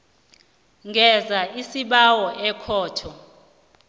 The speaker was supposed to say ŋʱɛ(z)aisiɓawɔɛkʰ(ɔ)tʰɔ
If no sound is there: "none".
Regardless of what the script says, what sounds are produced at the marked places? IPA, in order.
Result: z, ɔː

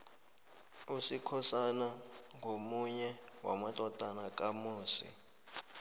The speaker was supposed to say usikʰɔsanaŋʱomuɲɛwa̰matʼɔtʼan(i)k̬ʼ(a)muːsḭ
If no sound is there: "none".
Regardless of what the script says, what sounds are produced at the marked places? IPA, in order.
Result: a, a

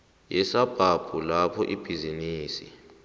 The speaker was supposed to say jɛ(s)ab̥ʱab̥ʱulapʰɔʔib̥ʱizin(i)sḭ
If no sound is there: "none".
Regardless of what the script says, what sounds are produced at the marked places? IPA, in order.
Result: s, iː

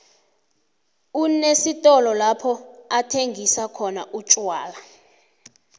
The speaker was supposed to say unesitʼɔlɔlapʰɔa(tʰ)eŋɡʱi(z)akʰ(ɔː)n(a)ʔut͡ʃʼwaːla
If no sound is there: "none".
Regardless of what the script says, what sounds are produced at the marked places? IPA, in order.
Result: tʰ, s, ɔ, a

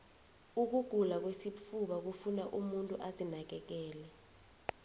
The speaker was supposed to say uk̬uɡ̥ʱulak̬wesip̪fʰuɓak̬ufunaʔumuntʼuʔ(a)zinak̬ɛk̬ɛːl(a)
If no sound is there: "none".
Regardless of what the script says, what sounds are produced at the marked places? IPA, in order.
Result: a, ɛ

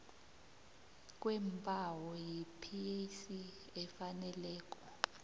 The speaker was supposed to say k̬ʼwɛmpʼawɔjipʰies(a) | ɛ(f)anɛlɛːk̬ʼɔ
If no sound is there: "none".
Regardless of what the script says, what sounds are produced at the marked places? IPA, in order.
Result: i, f

